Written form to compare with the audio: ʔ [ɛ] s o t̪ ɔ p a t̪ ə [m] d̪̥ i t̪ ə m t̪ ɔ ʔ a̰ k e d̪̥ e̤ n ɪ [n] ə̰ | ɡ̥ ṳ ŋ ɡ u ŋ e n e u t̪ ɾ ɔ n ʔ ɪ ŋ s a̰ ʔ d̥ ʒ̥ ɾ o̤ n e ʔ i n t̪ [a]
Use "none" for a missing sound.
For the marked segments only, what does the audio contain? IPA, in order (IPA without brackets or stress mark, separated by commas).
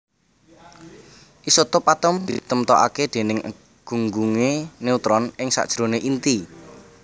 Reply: i, m, ŋ, i